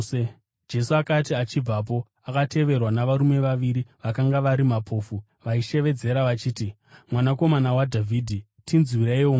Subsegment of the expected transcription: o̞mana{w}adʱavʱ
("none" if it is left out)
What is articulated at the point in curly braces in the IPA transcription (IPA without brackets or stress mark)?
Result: w